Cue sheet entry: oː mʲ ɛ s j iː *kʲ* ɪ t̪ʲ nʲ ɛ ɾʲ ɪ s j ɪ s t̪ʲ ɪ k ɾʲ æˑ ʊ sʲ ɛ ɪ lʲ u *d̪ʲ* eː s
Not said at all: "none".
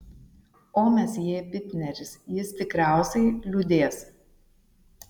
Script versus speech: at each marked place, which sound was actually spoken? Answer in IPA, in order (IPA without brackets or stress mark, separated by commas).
pʲ, d̪ʲ